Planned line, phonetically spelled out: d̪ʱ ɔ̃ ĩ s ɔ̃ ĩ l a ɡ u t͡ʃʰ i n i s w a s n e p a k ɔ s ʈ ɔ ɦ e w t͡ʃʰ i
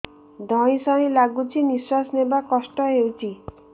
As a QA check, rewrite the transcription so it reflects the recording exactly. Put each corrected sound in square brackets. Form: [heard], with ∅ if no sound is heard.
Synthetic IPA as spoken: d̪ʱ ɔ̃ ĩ s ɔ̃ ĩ l a ɡ u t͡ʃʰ i n i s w a s n e [b] a k ɔ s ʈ ɔ ɦ e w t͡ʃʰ i